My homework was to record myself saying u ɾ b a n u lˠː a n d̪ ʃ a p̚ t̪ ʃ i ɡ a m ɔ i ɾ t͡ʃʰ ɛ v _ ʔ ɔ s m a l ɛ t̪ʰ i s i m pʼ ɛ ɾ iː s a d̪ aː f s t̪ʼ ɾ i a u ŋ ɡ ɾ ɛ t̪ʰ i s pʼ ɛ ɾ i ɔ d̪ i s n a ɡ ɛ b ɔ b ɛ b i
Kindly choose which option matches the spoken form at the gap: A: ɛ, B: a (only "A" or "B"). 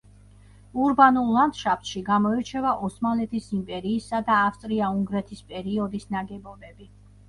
B